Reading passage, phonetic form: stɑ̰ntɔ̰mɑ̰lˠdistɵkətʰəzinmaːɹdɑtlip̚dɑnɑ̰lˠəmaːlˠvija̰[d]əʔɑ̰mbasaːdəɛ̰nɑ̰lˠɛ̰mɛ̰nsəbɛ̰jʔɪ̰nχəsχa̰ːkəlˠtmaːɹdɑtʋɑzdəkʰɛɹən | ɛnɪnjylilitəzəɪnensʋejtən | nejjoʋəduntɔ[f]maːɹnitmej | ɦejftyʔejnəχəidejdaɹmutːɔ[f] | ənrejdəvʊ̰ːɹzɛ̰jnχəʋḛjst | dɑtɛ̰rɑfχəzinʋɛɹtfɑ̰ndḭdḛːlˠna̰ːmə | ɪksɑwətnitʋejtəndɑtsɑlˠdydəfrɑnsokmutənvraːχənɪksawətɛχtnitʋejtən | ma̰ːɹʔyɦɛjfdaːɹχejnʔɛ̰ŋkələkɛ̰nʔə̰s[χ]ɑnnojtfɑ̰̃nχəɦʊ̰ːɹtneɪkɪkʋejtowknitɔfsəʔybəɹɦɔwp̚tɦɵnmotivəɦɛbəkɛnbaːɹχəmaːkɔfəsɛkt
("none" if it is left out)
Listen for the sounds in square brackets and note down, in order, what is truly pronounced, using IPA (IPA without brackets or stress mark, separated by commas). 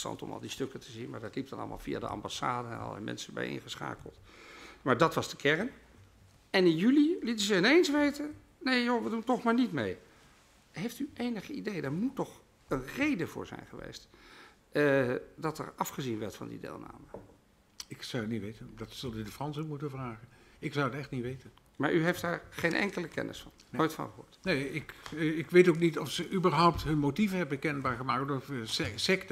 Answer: d, χ, χ, f